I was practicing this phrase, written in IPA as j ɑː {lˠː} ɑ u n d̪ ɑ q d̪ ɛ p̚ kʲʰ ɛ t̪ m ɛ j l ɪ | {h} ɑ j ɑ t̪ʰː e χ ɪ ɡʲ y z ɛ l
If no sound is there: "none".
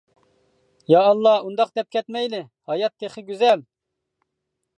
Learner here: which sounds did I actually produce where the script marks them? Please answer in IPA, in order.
lˠː, h

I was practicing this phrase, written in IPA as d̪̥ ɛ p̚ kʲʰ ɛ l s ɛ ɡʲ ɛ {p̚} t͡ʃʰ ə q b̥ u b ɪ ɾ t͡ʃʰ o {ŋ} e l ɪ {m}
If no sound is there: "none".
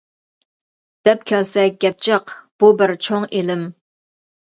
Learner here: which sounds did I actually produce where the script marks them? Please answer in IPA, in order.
p̚, ŋ, m

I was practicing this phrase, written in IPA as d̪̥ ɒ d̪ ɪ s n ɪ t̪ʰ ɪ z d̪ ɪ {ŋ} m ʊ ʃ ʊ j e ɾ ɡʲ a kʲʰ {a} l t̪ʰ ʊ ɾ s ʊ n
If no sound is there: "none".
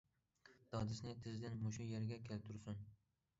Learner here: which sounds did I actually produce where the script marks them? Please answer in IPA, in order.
n, e

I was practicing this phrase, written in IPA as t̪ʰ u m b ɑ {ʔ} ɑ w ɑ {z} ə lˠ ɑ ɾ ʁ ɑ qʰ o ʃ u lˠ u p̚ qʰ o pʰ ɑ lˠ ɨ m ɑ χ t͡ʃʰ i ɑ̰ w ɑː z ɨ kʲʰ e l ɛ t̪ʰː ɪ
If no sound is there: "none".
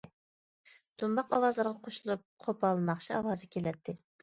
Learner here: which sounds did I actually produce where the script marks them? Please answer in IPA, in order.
q, z

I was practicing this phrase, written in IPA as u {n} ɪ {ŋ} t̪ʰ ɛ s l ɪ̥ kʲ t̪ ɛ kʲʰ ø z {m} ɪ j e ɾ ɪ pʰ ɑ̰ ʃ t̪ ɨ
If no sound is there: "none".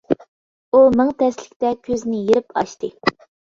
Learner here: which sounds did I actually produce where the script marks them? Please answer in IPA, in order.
m, ŋ, n

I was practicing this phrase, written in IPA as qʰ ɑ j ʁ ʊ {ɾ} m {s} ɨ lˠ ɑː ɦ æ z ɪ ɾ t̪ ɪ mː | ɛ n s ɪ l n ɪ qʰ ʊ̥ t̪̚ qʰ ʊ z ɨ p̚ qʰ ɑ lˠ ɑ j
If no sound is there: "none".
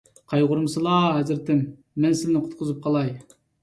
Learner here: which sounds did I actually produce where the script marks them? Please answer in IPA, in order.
ɾ, s

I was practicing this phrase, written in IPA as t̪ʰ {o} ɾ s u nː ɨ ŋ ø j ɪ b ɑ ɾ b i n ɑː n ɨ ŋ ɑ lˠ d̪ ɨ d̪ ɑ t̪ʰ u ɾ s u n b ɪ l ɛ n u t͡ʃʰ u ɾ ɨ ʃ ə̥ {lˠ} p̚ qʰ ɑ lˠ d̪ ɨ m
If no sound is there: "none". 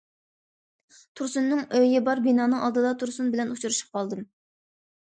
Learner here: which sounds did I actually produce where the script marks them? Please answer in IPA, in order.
u, none

